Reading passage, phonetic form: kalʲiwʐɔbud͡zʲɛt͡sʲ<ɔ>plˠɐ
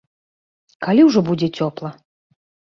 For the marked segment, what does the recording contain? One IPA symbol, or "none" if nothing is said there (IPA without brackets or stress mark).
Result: ɔ